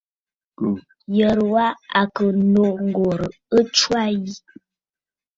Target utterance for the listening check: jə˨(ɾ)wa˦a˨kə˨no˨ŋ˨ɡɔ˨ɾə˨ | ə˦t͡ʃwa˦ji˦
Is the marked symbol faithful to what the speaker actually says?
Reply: yes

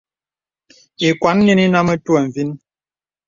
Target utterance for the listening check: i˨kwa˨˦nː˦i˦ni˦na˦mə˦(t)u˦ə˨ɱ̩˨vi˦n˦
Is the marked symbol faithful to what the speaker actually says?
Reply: yes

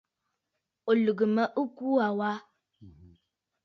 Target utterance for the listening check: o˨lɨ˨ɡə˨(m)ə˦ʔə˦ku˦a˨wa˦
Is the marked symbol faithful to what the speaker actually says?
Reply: yes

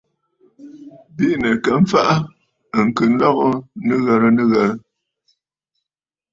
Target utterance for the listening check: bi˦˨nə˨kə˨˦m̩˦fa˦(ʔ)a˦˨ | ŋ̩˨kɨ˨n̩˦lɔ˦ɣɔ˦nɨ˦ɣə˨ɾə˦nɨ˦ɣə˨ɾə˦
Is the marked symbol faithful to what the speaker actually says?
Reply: yes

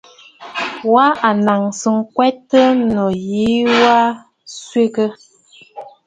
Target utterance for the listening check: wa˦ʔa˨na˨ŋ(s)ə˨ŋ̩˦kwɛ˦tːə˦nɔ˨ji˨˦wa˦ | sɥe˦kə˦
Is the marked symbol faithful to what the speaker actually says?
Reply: yes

